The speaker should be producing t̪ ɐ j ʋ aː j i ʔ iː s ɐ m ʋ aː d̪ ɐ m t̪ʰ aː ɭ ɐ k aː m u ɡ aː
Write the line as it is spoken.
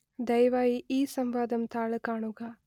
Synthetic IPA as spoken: d̪ ɐ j ʋ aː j i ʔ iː s ɐ m ʋ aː d̪ ɐ m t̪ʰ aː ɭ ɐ k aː ɳ u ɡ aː